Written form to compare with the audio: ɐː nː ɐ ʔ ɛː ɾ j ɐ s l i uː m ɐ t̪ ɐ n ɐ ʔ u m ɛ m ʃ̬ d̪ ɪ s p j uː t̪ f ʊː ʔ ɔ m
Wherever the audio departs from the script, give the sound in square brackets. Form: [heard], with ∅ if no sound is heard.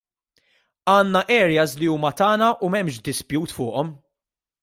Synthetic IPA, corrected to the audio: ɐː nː ɐ ʔ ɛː ɾ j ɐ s l i uː m ɐ t̪ [ɐː] n ɐ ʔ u m ɛ m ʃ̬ d̪ ɪ s p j uː t̪ f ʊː ʔ ɔ m